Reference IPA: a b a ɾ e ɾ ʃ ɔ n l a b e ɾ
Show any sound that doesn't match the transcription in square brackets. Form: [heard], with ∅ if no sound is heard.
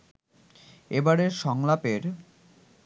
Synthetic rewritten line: [e] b a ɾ e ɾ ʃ ɔ [ŋ] l a [p] e ɾ